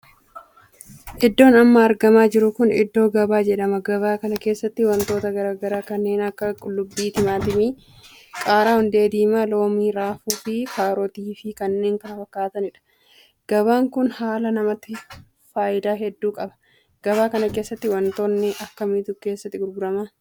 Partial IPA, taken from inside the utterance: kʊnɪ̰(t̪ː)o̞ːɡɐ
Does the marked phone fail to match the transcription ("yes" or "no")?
yes